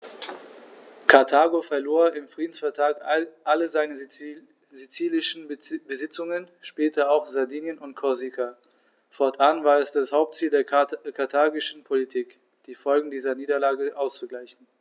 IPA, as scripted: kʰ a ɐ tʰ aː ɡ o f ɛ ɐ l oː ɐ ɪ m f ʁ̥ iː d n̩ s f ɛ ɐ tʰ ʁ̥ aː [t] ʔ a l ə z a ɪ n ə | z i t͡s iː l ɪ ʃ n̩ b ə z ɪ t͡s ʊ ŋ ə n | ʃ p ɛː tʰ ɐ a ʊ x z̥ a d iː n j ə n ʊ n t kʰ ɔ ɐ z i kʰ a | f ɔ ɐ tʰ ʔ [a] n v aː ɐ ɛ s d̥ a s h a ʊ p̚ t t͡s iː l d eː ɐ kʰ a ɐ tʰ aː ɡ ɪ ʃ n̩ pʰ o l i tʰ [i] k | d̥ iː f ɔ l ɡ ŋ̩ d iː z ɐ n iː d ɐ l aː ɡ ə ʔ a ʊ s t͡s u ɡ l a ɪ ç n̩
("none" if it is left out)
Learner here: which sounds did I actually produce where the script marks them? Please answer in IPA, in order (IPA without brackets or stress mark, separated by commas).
k, a, iː